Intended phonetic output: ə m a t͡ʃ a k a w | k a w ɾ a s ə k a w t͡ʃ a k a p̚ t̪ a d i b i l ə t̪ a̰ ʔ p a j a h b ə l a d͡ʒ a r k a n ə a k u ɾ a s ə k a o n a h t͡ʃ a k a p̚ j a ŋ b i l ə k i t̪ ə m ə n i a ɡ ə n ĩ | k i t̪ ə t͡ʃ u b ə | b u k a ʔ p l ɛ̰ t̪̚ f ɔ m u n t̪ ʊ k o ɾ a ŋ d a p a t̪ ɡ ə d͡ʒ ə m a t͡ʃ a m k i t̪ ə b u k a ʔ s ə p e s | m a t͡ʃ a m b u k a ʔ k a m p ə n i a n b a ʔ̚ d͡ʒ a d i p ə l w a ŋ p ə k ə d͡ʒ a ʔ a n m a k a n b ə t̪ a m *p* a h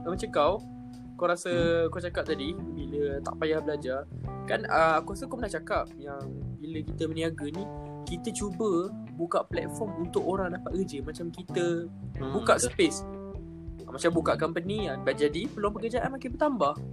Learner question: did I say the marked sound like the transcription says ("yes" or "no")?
no